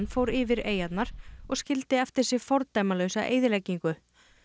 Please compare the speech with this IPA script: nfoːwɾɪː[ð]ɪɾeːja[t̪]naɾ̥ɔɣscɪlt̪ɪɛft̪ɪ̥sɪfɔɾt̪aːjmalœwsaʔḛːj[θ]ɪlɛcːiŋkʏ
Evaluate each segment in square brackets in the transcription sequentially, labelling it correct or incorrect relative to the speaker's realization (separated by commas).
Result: incorrect, correct, incorrect